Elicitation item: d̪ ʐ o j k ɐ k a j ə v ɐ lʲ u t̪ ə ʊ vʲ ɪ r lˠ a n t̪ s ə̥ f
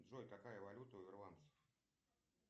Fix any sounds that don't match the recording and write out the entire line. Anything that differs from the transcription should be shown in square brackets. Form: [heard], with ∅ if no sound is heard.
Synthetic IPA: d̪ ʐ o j k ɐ k a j ə v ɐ lʲ u t̪ ə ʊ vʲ ɪ r lˠ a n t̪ s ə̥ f

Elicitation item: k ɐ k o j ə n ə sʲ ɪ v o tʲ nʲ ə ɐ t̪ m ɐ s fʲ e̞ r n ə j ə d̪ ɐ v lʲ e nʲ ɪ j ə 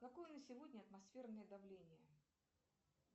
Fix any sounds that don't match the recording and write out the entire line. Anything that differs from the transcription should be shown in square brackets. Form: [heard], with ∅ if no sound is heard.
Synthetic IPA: k ɐ k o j ə n ə sʲ ɪ v o [dʲ] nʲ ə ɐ t̪ m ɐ s fʲ e̞ r n ə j ə d̪ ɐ v lʲ e nʲ ɪ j ə

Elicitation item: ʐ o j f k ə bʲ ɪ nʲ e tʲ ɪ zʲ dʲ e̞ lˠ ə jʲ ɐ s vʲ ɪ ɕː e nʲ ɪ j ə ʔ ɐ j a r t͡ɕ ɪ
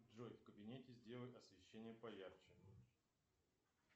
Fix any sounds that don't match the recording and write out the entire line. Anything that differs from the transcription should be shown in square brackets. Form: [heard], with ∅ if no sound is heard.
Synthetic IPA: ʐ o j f k ə bʲ ɪ nʲ e tʲ ɪ zʲ dʲ e̞ lˠ ə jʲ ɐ s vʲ ɪ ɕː e nʲ ɪ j ə [p] ɐ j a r t͡ɕ ɪ

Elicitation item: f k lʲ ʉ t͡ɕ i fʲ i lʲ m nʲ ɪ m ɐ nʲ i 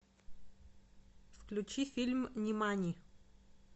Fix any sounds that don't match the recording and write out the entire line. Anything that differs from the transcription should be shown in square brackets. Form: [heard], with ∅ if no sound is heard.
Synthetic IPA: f k lʲ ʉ t͡ɕ i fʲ i lʲ m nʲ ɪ m [a] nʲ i

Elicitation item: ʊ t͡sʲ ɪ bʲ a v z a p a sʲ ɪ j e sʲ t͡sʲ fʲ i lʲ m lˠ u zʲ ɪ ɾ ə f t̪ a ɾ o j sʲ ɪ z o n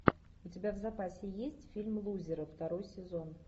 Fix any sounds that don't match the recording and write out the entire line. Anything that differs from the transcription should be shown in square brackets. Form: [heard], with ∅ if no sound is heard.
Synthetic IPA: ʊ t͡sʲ ɪ bʲ a v z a p a sʲ ɪ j e sʲ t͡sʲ fʲ i lʲ m lˠ u zʲ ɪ ɾ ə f t̪ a ɾ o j sʲ ɪ z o n

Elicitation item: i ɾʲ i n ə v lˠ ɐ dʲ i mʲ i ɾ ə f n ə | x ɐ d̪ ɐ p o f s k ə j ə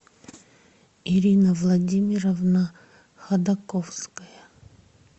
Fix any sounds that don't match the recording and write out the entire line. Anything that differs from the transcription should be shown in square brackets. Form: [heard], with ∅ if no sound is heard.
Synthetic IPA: i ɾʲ i n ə v lˠ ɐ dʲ i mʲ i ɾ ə [v] n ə | x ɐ d̪ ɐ [k] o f s k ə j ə

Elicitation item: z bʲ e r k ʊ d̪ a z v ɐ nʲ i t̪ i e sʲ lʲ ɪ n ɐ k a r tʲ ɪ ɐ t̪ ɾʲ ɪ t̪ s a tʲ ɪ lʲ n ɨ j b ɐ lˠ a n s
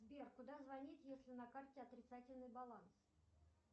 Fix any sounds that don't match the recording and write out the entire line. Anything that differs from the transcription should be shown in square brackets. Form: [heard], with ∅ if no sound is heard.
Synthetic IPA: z bʲ e r k ʊ d̪ a z v ɐ nʲ i t̪ [j] e sʲ lʲ ɪ n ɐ k a r tʲ ɪ ɐ t̪ ɾʲ ɪ t̪ s a tʲ ɪ lʲ n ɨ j b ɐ lˠ a n s

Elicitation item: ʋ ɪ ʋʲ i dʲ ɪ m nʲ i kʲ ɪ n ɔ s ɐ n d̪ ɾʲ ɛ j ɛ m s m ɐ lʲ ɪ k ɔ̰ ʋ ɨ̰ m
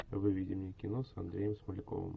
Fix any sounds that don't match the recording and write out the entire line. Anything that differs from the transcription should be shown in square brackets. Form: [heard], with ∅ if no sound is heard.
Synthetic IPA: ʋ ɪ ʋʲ i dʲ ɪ m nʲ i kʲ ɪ n ɔ s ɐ n d̪ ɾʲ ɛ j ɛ m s m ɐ lʲ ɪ k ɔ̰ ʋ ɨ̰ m

